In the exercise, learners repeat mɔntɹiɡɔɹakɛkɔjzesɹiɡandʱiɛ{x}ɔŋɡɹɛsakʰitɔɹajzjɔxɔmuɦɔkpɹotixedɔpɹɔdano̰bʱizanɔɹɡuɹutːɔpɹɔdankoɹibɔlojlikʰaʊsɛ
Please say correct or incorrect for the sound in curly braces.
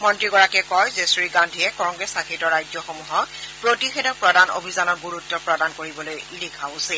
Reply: incorrect